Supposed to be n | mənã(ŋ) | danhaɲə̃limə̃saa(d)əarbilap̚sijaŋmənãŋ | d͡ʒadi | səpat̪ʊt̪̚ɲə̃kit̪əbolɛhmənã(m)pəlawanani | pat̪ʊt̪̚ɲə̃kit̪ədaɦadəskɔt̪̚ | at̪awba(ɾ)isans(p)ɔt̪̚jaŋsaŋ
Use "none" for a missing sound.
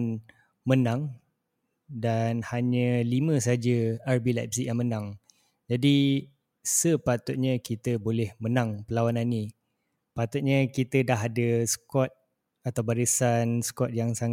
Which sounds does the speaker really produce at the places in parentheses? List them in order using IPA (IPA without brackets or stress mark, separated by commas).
ŋ, d͡ʒ, ŋ, ɾ, k